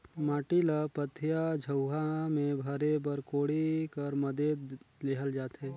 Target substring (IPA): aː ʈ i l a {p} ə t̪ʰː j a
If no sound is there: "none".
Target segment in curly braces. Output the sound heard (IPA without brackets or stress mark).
p